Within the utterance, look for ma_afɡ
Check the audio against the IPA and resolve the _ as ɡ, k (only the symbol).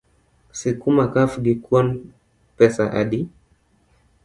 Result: k